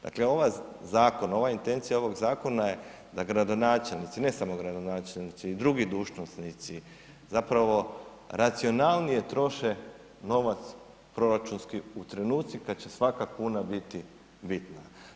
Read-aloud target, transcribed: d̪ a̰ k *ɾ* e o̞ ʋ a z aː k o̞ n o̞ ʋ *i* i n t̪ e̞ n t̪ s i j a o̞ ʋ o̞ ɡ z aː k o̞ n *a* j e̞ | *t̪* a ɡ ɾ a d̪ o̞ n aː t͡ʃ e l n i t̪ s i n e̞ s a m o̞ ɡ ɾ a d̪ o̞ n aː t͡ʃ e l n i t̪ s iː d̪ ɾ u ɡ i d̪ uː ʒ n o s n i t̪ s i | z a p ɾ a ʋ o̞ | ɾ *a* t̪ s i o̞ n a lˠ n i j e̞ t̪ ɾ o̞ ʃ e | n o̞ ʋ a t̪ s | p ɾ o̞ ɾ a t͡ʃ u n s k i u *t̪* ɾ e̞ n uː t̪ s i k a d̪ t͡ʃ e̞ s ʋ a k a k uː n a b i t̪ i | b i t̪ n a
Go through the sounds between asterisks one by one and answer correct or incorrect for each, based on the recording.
incorrect, incorrect, correct, incorrect, correct, correct

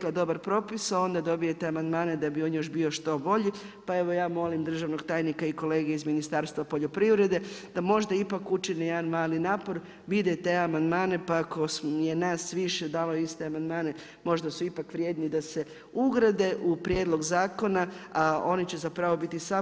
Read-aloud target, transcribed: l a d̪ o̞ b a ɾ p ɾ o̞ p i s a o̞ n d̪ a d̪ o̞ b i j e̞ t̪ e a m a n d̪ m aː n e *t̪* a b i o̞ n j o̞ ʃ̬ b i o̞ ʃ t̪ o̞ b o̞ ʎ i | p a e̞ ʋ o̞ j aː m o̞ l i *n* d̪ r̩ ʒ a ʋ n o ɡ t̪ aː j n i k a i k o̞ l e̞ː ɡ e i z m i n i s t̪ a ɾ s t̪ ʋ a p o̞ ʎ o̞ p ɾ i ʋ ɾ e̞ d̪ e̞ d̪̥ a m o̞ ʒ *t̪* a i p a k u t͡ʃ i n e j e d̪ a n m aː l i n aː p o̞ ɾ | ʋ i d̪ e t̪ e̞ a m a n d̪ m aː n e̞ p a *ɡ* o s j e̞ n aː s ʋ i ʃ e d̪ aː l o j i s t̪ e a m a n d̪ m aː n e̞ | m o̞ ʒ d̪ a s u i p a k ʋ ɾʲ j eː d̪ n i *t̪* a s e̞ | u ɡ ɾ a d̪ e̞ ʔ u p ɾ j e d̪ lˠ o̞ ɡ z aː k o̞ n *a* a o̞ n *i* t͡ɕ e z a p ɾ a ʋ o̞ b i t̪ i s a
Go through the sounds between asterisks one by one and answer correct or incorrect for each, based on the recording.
incorrect, incorrect, incorrect, incorrect, incorrect, correct, correct

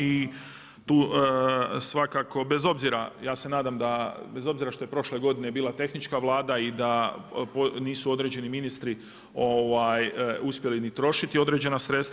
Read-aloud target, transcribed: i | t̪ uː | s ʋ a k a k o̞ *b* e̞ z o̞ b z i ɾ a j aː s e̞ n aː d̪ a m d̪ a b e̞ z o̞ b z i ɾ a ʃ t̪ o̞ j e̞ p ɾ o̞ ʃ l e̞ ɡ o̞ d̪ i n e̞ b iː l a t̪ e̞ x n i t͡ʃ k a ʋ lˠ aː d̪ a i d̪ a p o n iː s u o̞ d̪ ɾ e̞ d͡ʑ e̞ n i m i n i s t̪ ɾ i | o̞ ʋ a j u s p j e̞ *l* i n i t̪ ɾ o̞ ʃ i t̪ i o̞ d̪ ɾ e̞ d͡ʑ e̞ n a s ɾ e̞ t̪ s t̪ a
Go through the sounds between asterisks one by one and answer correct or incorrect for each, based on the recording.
correct, correct

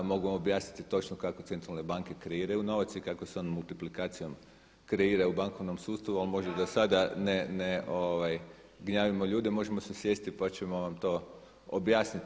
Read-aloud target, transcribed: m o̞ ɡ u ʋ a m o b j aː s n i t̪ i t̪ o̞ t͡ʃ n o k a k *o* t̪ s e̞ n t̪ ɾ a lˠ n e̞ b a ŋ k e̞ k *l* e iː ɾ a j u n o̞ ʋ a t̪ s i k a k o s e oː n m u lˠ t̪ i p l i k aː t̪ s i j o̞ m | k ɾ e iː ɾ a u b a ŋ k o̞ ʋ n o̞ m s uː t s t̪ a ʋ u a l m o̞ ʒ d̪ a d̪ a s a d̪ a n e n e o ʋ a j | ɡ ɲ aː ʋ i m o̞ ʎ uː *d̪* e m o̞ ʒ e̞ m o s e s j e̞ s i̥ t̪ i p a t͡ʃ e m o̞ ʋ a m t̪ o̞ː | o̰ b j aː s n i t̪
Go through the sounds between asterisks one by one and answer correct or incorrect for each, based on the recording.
correct, incorrect, correct

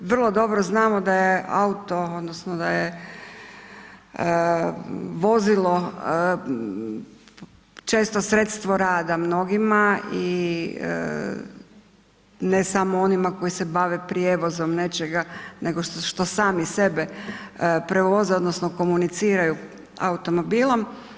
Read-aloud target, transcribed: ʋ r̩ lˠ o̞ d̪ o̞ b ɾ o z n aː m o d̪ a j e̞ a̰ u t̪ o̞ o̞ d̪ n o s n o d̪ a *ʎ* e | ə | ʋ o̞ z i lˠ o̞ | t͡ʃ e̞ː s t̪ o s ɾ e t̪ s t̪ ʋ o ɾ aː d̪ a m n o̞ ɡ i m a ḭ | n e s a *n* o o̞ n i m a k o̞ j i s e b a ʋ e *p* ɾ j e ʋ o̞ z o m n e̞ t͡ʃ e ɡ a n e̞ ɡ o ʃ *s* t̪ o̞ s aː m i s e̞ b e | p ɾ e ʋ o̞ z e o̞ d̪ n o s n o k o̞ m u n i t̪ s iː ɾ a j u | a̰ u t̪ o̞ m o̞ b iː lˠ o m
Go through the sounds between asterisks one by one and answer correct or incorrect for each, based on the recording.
incorrect, incorrect, correct, incorrect

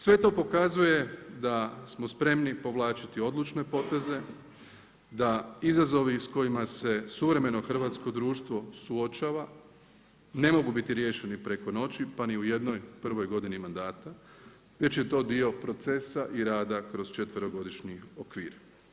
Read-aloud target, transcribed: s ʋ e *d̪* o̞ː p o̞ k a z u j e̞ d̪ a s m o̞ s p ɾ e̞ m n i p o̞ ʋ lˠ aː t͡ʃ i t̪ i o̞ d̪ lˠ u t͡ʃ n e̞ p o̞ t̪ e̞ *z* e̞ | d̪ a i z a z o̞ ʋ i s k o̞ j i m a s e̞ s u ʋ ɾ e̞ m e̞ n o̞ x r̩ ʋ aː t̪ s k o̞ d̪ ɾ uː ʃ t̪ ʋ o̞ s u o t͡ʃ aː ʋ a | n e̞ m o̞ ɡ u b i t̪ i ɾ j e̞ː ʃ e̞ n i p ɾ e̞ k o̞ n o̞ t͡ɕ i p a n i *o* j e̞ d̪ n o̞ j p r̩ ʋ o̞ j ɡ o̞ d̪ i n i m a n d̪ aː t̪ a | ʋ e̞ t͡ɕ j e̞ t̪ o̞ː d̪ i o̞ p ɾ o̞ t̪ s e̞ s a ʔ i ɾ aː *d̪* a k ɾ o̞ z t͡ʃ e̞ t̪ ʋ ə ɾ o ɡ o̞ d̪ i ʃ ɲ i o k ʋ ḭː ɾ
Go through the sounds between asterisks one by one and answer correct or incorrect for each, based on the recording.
incorrect, correct, incorrect, correct

